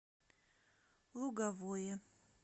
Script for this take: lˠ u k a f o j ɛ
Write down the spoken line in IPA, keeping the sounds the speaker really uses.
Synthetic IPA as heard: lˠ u ɡ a v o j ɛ